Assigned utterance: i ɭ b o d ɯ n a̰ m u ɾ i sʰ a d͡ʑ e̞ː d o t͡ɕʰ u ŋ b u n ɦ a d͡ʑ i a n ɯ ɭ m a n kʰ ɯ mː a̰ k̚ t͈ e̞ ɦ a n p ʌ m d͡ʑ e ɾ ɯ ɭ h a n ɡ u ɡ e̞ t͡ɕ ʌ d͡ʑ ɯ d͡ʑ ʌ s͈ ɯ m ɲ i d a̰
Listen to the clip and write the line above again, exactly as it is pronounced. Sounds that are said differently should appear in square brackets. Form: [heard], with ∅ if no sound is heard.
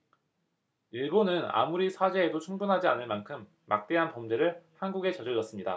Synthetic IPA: i ɭ b o [n] ɯ n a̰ m u ɾ i sʰ a d͡ʑ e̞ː d o t͡ɕʰ u ŋ b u n ɦ a d͡ʑ i a n ɯ ɭ m a n kʰ ɯ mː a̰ k̚ t͈ e̞ ɦ a n p ʌ m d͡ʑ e ɾ ɯ ɭ h a n ɡ u ɡ e̞ t͡ɕ ʌ d͡ʑ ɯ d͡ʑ ʌ s͈ ɯ m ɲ i d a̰